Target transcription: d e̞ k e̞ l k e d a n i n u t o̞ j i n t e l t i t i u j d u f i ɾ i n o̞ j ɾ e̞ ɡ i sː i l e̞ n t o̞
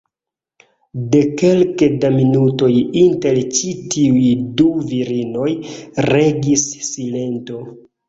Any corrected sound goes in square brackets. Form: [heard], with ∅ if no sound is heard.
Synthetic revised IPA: d e̞ k e̞ l k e d a [m] i n u t o̞ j i n t e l [t͡ʃ] i t i u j d u [v] i ɾ i n o̞ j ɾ e̞ ɡ i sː i l e̞ n t o̞

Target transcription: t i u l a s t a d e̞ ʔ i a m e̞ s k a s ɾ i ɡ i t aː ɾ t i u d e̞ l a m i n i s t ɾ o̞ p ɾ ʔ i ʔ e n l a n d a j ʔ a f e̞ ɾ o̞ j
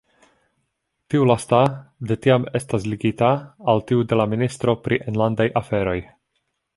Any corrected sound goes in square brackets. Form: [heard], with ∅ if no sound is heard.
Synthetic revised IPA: t i u l a s t a d e̞ [t] i a m e̞ s [t] a s [l] i ɡ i t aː [l] t i u d e̞ l a m i n i s t ɾ o̞ p ɾ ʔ i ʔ e n l a n d a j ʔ a f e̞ ɾ o̞ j

